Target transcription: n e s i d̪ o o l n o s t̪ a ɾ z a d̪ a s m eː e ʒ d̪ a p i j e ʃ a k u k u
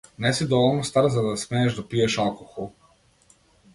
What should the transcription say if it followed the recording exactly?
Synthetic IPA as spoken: n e s i d̪ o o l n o s t̪ a ɾ z a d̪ a s m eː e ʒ d̪ a p i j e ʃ a k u x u